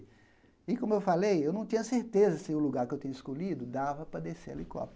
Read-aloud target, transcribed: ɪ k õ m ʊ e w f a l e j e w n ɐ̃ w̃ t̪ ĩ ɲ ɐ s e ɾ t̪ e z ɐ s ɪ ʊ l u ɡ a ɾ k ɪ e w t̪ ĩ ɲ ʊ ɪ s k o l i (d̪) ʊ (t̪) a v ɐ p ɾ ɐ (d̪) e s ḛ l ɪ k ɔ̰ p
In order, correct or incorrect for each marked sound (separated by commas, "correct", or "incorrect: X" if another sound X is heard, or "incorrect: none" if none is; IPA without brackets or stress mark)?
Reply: correct, incorrect: d̪, correct